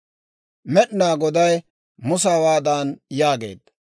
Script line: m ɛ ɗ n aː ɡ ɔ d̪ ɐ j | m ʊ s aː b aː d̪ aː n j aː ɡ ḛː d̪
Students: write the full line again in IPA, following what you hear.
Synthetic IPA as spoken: m ɛ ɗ n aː ɡ ɔ d̪ ɐ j | m ʊ s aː w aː d̪ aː n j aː ɡ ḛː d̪